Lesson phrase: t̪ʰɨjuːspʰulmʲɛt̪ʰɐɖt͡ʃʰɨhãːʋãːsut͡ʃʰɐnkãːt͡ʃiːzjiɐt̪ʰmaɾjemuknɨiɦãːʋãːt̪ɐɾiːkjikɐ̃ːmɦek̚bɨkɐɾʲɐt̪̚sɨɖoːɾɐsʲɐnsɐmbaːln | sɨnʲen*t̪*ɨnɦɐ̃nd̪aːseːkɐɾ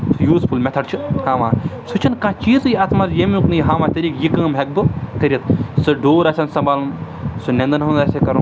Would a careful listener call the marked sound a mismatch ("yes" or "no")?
yes